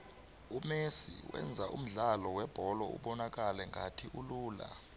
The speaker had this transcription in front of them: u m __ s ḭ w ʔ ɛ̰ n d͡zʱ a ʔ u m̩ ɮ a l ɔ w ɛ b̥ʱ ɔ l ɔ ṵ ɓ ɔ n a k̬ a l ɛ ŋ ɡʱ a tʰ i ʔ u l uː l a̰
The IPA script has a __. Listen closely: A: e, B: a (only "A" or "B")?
A